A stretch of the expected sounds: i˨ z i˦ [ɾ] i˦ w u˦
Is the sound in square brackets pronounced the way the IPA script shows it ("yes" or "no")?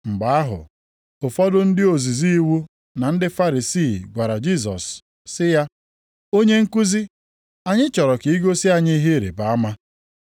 no